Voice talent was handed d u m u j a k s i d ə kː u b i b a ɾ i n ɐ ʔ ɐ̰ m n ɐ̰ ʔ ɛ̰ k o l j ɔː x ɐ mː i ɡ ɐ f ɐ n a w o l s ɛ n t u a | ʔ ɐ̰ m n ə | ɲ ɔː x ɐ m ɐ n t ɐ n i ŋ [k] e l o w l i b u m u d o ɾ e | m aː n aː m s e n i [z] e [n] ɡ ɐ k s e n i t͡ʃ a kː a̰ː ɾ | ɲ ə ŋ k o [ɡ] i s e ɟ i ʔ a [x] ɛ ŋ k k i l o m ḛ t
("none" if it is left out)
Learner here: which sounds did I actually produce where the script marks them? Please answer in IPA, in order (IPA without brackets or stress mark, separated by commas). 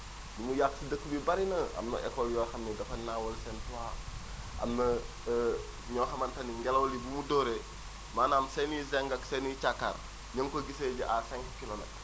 ɡ, z, ŋ, ɡ, s